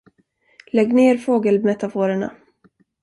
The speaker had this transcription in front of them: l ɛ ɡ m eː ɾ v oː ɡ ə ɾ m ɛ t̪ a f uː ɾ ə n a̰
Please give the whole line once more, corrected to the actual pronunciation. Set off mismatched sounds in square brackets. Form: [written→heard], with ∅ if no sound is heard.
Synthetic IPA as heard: l ɛ ɡ [m→n] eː ɾ [v→f] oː ɡ ə [ɾ→l] m ɛ t̪ a f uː ɾ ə [n→ɳ] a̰

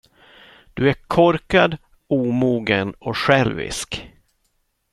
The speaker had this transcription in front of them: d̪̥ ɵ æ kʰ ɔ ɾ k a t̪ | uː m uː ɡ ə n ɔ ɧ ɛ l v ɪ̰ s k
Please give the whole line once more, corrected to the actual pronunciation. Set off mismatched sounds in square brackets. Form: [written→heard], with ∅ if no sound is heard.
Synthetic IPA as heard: d̪̥ ɵ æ kʰ ɔ ɾ k a [t̪→d̪] | uː m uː ɡ ə n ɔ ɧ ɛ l v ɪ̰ s k

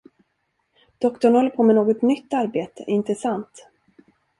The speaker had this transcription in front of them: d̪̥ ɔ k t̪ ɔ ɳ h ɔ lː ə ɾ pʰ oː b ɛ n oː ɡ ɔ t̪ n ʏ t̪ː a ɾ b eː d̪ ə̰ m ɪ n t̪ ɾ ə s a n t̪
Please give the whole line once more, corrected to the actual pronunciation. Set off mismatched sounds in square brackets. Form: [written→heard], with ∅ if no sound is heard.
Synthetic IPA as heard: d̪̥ ɔ k t̪ ɔ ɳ h ɔ lː ə ɾ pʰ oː [b→m] ɛ n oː ɡ ɔ t̪ n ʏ t̪ː a ɾ b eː [d̪→t̪] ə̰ [m→∅] ɪ n t̪ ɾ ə s a n t̪

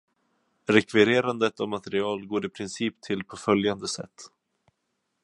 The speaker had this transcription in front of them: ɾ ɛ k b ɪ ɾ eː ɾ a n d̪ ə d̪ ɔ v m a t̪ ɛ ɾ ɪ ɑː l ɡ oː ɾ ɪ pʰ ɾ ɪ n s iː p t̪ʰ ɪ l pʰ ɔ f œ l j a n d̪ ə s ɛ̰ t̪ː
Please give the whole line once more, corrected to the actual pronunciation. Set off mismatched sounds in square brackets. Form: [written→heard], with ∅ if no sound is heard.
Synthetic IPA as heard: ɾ ɛ k [b→v] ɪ ɾ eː ɾ a n d̪ ə [d̪→t̪] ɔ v m a t̪ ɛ ɾ ɪ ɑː l ɡ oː ɾ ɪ pʰ ɾ ɪ n s iː p t̪ʰ ɪ l pʰ ɔ f œ l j a n d̪ ə s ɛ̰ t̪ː

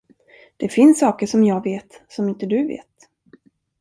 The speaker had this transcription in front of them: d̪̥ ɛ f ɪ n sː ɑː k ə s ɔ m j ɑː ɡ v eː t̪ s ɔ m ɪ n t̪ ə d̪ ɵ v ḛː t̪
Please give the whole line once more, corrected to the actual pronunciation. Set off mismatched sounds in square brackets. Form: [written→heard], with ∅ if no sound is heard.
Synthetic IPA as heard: d̪̥ ɛ f ɪ n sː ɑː k ə [s→ʂ] ɔ m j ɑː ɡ v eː t̪ s ɔ m ɪ n t̪ ə d̪ ɵ v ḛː t̪

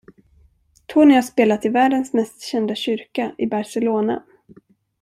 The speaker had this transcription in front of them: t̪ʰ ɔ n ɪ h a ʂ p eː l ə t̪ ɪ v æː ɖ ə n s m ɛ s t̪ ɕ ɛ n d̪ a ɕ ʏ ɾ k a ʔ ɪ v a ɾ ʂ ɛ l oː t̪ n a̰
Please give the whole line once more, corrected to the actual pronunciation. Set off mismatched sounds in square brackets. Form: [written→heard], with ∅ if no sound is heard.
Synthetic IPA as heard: t̪ʰ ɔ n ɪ h a ʂ p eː l [ə→a] t̪ ɪ v æː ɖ ə n s m ɛ s t̪ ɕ ɛ n d̪ a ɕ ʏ ɾ k a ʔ ɪ [v→b] a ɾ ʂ ɛ l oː [t̪→∅] n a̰

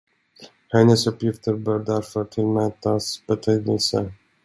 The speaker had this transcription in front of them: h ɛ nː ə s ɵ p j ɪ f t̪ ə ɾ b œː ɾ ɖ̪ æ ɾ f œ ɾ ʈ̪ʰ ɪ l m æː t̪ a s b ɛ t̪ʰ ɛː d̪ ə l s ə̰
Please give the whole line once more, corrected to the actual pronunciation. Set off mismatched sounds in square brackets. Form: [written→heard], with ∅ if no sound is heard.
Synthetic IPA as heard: h ɛ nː ə s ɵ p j ɪ f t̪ ə ɾ b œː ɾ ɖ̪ æ ɾ f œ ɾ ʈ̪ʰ ɪ l m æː t̪ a s b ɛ t̪ʰ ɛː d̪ ə l s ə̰

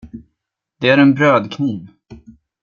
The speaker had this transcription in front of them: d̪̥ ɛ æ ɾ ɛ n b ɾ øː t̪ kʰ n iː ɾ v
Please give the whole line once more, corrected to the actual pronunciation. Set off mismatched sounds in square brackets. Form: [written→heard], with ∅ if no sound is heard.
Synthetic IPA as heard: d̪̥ ɛ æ ɾ ɛ n b ɾ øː [t̪→d̪] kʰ n iː [ɾ→∅] v

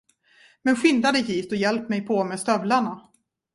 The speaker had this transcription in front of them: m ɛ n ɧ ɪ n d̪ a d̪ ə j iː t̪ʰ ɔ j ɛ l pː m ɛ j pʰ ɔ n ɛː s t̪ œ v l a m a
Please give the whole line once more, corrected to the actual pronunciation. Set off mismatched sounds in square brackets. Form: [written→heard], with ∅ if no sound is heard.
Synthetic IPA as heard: m ɛ n ɧ ɪ n d̪ a d̪ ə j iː [t̪ʰ→t̪] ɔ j ɛ l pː m ɛ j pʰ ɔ [n→m] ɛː s t̪ œ v l a [m→ɳ] a

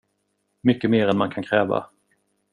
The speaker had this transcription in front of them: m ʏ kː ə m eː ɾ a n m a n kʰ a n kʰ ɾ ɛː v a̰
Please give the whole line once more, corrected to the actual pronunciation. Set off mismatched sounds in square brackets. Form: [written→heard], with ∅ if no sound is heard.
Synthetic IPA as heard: m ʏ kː ə m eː ɾ [a→ɛ] n m a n kʰ a n kʰ ɾ ɛː v a̰

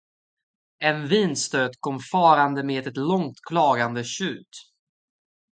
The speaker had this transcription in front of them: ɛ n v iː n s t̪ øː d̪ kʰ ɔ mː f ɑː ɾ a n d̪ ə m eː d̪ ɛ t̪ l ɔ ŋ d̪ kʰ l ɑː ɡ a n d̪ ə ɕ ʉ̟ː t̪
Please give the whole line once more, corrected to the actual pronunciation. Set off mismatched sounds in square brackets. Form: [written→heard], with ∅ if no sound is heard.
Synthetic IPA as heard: ɛ n v iː n s t̪ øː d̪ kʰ ɔ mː f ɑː ɾ a n d̪ ə m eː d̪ ɛ t̪ l ɔ ŋ [d̪→t̪] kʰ l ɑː ɡ a n d̪ ə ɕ ʉ̟ː t̪

